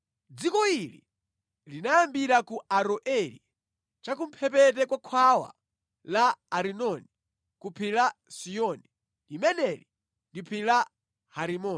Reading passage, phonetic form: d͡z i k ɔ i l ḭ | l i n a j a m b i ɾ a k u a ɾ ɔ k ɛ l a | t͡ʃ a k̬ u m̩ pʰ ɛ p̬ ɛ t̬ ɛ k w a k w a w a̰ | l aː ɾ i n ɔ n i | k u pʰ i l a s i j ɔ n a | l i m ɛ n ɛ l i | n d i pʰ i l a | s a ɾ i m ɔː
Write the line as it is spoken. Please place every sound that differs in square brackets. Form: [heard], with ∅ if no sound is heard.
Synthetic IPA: d͡z i k ɔ i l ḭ | l i n a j a m b i ɾ a k u a ɾ ɔ [ʔ] ɛ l [i] | t͡ʃ a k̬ u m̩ pʰ ɛ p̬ ɛ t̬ ɛ k w a [kʰ] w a w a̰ | l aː ɾ i n ɔ n i | k u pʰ i l a s i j ɔ n [i] | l i m ɛ n ɛ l i | n d i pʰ i l a | [h] a ɾ i m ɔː